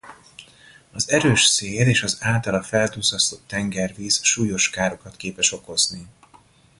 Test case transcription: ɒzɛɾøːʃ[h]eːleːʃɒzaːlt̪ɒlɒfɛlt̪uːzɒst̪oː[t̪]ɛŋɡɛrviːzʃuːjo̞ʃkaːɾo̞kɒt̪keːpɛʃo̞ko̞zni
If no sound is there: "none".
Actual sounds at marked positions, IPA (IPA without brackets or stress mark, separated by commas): s, t̪